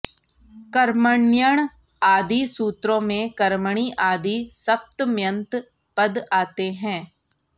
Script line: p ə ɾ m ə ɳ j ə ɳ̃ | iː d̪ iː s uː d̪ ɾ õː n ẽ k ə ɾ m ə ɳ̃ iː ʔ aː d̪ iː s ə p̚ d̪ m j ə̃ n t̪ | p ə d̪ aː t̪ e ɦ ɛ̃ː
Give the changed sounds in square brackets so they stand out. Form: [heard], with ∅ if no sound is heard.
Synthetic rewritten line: [k] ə ɾ m ə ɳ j ə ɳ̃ | [aː] d̪ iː s uː [t̪] ɾ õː [m] ẽ k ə ɾ m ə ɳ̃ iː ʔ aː d̪ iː s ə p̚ [t̪] m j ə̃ n t̪ | p ə d̪ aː t̪ e ɦ ɛ̃ː